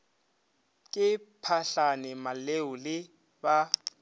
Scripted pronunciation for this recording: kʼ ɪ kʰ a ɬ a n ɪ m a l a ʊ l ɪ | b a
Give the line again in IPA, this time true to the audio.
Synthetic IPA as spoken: kʼ ɪ pʰ a ɬ a n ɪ m a l e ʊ l ɪ | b a